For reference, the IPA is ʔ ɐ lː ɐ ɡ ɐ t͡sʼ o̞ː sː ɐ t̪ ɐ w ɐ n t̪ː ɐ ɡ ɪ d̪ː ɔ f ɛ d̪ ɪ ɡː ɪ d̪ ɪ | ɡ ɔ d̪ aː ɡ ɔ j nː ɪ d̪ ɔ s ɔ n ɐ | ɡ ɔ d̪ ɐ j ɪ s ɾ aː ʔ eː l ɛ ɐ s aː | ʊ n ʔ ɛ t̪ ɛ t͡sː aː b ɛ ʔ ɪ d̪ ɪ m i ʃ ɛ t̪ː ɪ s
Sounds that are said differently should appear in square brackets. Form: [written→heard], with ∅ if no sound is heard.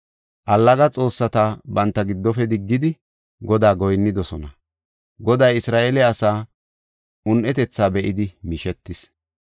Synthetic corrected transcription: ʔ ɐ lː ɐ ɡ ɐ t͡sʼ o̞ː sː ɐ t̪ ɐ [w→b] ɐ n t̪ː ɐ ɡ ɪ d̪ː ɔ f ɛ d̪ ɪ ɡː ɪ d̪ ɪ | ɡ ɔ d̪ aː ɡ ɔ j nː ɪ d̪ ɔ s ɔ n ɐ | ɡ ɔ d̪ ɐ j ɪ s ɾ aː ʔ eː l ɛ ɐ s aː | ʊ n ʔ ɛ t̪ ɛ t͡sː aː b ɛ ʔ ɪ d̪ ɪ m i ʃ ɛ t̪ː ɪ s